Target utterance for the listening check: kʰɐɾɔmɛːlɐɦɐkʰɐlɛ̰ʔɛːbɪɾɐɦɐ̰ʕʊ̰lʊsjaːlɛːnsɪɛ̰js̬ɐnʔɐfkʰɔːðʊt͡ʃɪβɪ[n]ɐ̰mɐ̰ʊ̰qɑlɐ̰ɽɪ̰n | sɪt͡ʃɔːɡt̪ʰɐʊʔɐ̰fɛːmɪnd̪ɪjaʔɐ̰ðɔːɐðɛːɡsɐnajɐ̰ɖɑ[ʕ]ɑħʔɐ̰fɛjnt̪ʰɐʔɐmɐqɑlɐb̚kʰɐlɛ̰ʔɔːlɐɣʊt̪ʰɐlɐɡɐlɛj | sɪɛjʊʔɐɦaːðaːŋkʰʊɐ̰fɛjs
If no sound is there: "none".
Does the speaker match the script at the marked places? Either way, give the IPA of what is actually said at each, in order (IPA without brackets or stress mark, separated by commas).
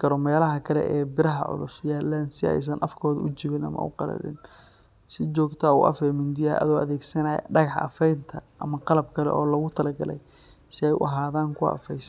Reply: n, ɣ